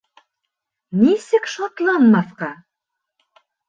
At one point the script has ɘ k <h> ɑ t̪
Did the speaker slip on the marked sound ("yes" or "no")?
yes